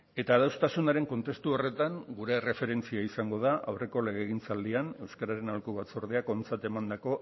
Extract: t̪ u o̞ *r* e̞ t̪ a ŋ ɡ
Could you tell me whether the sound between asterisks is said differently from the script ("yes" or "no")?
no